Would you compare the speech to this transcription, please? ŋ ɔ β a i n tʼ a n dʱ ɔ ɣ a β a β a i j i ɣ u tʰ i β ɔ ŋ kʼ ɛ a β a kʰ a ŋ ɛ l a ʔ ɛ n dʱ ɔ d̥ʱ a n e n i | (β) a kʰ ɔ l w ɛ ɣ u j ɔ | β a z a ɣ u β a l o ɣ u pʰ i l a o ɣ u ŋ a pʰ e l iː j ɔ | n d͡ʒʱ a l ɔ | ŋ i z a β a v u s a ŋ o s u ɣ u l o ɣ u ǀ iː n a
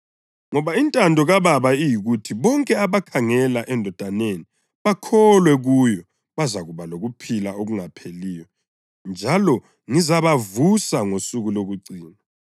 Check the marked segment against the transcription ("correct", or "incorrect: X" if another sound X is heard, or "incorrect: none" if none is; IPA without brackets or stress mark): correct